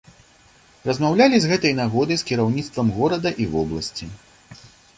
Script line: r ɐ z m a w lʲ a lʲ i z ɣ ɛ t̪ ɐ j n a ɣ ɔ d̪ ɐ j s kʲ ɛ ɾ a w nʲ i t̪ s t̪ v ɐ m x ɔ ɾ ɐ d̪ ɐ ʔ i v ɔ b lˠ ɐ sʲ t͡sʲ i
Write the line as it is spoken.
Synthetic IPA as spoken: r ɐ z m a w lʲ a lʲ i z ɣ ɛ t̪ ɐ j n a ɣ ɔ d̪ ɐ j s kʲ i ɾ a w nʲ i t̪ s t̪ v ɐ m ɣ ɔ ɾ ɐ d̪ ɐ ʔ i v ɔ b lˠ ɐ sʲ t͡sʲ i